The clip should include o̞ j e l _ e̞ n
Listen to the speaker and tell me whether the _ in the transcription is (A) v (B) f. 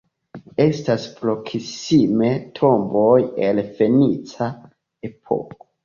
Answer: B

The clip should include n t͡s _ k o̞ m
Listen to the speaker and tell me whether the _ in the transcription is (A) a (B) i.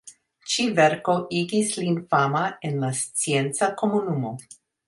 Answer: A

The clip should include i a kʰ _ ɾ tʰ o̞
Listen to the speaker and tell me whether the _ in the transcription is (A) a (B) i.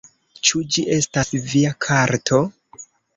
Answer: A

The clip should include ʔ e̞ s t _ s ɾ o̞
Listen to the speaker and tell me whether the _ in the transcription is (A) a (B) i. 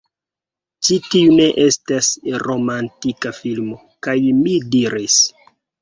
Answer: A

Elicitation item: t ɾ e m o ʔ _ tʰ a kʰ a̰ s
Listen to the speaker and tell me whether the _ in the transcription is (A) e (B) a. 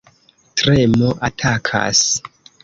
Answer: B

